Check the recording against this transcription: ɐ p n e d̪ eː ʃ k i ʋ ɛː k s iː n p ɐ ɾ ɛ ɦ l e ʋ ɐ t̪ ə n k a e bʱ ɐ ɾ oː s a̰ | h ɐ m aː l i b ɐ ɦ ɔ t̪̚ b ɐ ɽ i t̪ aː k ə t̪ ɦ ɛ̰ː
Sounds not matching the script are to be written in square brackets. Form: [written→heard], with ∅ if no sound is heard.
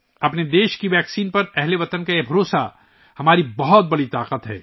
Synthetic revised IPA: ɐ p n e d̪ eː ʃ k i ʋ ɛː k s iː n p ɐ ɾ ɛ ɦ l e ʋ ɐ t̪ ə n k a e bʱ ɐ ɾ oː s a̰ | h ɐ m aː [l→ɾ] i b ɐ ɦ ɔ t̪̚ b ɐ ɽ i t̪ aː [k→q] ə t̪ ɦ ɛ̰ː